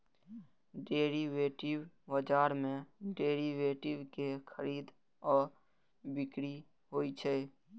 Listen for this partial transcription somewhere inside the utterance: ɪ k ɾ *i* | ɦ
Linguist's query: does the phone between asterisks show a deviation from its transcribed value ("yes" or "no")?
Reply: no